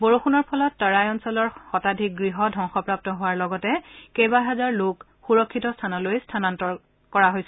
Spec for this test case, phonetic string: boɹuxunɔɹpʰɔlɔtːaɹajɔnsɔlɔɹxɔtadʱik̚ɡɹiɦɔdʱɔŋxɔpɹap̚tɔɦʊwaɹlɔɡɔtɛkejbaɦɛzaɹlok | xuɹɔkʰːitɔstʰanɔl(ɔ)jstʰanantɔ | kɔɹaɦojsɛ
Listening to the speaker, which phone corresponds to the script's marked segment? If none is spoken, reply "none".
o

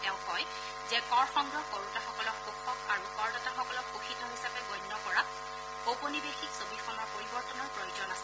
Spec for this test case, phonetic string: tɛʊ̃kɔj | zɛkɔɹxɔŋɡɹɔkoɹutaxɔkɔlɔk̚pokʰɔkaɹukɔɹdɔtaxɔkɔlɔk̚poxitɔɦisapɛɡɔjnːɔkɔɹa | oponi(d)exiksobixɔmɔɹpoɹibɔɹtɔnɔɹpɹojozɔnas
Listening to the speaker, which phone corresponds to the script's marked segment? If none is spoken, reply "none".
b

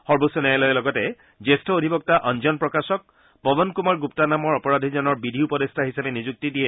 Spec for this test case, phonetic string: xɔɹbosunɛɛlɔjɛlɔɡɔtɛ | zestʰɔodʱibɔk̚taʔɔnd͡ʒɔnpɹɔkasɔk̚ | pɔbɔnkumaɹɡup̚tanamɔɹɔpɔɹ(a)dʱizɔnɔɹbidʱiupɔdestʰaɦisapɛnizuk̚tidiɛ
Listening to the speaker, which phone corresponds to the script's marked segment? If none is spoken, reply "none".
a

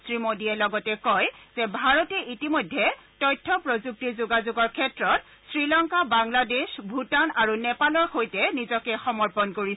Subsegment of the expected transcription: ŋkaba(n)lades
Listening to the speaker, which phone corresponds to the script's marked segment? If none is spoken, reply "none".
ŋ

